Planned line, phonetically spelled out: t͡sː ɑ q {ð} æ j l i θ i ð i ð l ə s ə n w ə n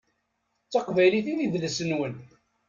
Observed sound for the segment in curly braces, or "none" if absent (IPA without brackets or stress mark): v